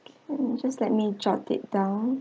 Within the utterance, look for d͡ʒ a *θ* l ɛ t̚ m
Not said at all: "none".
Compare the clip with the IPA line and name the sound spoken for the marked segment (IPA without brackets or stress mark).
s